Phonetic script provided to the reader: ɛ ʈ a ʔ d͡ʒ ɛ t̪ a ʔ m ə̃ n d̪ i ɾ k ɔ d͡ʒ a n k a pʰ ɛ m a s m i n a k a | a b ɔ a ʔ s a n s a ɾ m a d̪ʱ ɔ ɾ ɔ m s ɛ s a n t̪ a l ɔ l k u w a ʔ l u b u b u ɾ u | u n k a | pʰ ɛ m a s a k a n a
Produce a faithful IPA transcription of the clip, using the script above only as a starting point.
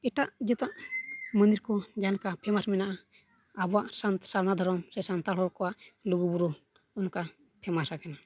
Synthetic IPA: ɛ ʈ a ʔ d͡ʒ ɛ t̪ a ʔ m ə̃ n d̪ i ɾ k ɔ d͡ʒ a n k a pʰ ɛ m a s m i n a ʔ a | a b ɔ a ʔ s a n s a ɾ n a d̪ʱ ɔ ɾ ɔ m s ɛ s a n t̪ a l ɔ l k ɔ w a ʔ l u ɡ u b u ɾ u | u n k a | pʰ ɛ m a s a k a n a